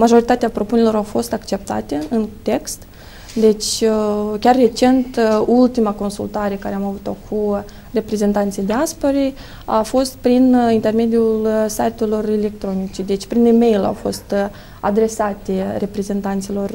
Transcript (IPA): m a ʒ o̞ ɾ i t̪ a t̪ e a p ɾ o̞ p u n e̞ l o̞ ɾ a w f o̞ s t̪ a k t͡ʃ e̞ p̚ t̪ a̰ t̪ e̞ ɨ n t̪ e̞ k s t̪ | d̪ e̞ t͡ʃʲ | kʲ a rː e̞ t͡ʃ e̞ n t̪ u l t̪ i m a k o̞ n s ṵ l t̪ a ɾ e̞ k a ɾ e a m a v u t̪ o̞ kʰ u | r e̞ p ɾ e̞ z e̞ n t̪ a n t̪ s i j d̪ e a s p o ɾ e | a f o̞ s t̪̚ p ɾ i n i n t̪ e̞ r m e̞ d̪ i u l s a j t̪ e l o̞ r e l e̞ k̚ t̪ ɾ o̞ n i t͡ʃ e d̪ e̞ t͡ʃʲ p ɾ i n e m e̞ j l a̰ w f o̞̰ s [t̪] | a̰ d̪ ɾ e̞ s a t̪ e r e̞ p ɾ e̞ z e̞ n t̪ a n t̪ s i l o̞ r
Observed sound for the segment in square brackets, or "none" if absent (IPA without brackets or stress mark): t̪